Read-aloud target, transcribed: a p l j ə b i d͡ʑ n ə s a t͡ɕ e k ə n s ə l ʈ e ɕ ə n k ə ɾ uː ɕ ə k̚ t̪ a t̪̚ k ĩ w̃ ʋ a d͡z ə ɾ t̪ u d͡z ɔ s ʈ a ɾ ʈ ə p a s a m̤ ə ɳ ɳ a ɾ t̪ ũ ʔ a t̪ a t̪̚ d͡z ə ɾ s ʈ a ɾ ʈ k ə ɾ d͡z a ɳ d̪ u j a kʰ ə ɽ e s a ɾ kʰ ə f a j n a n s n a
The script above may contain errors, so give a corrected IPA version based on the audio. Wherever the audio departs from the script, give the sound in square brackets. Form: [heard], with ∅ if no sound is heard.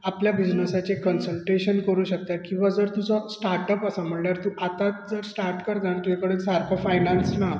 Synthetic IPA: a p l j [a] b i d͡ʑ n ə s a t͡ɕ e k ə n s ə l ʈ e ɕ ə n k ə ɾ uː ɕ ə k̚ t̪ a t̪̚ k ĩ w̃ ʋ a d͡z ə ɾ t̪ u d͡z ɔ s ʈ a ɾ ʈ ə p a s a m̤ ə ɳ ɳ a ɾ t̪ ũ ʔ a t̪ a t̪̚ d͡z ə ɾ s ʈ a ɾ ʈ k ə ɾ d͡z a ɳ [t̪] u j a [k] ə ɽ e s a ɾ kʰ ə f a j n a n s n a